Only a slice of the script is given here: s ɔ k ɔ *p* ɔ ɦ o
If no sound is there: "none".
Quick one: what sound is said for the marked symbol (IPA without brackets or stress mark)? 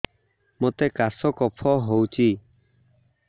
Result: pʰ